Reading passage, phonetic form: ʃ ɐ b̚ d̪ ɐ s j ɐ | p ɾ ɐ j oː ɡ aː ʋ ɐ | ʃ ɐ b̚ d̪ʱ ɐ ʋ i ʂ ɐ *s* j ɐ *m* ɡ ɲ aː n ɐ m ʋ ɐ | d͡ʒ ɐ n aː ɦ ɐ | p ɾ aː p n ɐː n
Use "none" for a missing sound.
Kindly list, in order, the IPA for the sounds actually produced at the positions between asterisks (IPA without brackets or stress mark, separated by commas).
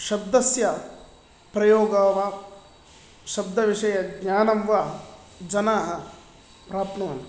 none, none